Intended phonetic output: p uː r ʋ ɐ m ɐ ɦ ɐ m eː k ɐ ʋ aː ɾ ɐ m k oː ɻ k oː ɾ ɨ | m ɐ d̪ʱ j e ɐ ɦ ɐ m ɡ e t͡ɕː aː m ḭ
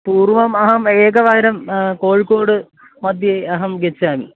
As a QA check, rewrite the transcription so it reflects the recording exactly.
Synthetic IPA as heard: p uː r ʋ ɐ m ɐ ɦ ɐ m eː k ɐ ʋ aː ɾ ɐ m k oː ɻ k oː ɽ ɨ | m ɐ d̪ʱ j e ɐ ɦ ɐ m ɡ e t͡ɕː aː m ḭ